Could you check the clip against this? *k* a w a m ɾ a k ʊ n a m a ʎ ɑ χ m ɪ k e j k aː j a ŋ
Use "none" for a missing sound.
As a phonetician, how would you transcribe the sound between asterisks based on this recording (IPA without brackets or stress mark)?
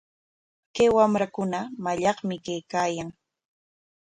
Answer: k